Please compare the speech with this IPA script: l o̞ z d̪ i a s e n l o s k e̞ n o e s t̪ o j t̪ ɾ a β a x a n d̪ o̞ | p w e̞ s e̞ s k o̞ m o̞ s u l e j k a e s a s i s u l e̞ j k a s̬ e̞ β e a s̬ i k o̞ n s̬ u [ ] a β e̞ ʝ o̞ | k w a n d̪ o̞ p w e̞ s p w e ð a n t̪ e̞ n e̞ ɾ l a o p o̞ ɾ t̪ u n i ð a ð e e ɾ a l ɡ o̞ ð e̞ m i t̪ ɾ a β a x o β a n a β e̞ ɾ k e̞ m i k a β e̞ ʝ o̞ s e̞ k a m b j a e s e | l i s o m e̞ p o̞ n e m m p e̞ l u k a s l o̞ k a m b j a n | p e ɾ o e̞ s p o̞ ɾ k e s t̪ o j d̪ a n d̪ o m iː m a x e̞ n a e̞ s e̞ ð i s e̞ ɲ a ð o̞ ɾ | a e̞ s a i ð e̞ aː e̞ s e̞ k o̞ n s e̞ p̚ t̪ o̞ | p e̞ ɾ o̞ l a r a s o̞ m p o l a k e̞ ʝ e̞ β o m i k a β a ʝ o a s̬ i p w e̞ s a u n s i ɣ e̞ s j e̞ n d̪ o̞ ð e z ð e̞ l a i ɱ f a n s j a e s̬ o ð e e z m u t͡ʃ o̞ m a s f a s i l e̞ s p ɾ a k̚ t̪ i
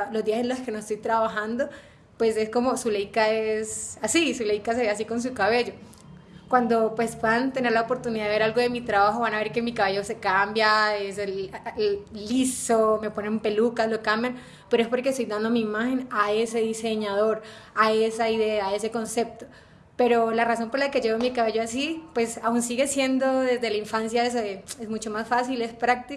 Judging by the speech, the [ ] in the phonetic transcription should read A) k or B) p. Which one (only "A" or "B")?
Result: A